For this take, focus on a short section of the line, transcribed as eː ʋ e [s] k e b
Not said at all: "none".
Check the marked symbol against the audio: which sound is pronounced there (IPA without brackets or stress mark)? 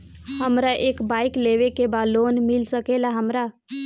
none